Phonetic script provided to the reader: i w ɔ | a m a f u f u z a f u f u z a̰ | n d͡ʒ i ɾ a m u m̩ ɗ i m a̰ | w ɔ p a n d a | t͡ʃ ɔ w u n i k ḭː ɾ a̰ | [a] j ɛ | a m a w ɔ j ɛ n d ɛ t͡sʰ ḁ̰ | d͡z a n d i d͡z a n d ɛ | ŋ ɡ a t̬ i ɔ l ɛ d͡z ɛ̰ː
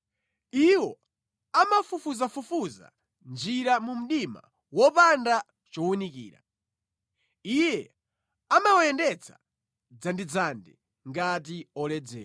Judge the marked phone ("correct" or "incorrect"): incorrect